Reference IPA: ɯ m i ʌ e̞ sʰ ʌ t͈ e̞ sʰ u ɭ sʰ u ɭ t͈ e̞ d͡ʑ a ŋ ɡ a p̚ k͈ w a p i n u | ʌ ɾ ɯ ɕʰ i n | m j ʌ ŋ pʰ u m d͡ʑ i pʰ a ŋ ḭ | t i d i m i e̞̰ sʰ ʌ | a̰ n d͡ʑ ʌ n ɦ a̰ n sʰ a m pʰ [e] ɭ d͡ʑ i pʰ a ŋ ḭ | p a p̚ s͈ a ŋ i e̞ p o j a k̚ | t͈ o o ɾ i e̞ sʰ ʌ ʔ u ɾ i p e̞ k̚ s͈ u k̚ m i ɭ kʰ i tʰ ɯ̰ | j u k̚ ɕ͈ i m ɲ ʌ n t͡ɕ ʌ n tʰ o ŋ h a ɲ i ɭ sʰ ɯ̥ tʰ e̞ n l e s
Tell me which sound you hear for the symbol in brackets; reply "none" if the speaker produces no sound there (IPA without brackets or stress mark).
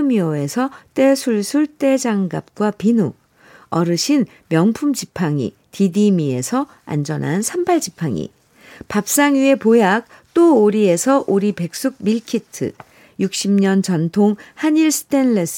a